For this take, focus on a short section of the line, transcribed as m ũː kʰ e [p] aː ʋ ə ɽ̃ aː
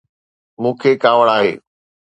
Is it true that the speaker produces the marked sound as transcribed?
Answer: no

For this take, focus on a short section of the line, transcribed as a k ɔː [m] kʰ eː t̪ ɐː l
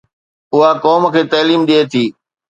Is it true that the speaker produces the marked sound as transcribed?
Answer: yes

